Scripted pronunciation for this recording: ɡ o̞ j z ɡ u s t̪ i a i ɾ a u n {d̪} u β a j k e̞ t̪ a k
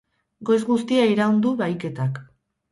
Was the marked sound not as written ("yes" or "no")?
no